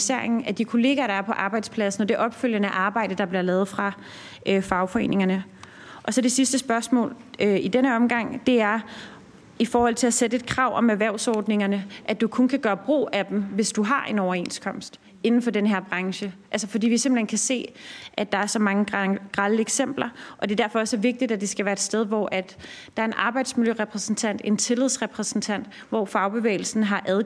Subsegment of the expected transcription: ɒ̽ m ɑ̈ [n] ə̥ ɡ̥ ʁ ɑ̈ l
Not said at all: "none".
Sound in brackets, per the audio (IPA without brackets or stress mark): ŋ